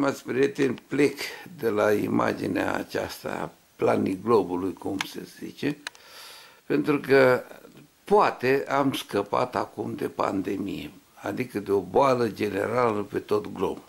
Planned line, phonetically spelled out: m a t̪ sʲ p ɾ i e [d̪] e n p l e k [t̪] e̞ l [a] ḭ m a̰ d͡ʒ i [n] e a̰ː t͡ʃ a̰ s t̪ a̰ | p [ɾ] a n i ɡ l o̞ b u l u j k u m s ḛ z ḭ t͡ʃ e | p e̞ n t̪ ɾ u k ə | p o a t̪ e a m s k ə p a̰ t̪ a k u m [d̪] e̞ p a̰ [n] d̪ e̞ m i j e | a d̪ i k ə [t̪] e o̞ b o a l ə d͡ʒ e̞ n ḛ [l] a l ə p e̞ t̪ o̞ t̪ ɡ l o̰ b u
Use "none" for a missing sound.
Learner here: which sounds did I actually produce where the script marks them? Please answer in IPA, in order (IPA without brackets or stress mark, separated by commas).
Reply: t̪, d̪, a, n, l, d̪, n, d̪, ɾ